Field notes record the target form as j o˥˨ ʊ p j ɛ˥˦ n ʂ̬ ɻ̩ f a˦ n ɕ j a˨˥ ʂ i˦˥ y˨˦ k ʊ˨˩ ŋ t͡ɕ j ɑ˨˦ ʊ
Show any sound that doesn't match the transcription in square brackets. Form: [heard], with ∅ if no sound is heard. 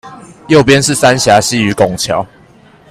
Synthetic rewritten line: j o˥˨ ʊ p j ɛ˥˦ n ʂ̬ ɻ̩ [s] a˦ n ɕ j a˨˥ [ɕ] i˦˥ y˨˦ k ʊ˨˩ ŋ [t͡ɕʰ] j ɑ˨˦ ʊ